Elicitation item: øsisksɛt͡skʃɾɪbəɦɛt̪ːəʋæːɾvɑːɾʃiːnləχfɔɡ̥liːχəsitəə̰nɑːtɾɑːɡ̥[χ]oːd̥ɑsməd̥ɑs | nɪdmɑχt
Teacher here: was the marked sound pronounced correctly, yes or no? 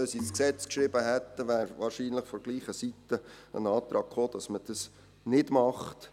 yes